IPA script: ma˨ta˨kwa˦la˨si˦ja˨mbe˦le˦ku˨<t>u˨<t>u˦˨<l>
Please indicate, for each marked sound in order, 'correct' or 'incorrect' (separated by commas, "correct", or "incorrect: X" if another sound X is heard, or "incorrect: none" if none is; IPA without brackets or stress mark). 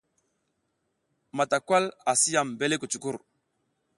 incorrect: t͡ʃ, incorrect: k, incorrect: ɾ